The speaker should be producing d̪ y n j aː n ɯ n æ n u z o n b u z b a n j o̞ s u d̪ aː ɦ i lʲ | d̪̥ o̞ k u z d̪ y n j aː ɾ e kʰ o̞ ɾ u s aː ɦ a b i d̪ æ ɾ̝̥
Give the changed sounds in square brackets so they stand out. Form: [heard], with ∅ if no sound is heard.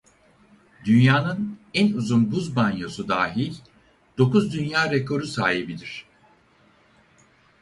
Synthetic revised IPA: d̪ y n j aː n ɯ n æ n u z [u] n b u z b a n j o̞ s u d̪ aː ɦ i lʲ | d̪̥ o̞ k u z d̪ y n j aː ɾ e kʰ o̞ ɾ u s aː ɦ [i] b i d̪ [i] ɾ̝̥